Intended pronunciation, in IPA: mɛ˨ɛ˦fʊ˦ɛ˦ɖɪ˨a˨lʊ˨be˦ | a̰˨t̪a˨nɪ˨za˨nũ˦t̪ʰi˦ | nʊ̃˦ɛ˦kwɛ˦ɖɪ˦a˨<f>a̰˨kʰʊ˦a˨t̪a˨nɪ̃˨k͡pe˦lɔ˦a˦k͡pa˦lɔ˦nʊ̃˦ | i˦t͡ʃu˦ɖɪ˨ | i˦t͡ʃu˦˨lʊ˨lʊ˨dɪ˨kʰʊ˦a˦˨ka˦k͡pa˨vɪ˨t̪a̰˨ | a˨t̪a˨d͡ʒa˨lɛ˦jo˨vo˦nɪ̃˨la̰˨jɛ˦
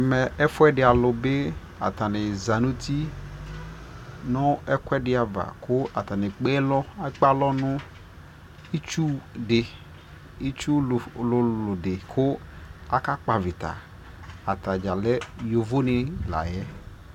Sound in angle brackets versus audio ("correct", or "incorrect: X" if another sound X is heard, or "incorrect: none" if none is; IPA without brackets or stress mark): incorrect: v